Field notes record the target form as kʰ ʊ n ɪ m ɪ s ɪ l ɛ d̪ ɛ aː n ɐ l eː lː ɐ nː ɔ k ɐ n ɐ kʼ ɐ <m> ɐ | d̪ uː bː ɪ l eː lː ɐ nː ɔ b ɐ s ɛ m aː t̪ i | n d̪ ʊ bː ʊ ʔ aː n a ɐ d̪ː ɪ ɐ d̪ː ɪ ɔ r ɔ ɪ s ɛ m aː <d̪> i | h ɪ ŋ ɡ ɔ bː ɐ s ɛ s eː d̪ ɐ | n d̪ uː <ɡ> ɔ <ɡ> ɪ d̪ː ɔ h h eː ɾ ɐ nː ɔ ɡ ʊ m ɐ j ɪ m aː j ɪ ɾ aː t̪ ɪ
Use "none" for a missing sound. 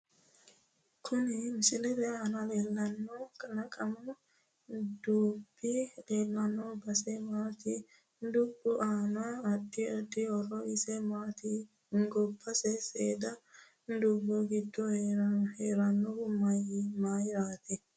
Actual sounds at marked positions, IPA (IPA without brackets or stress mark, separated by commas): m, t̪, b, ɡ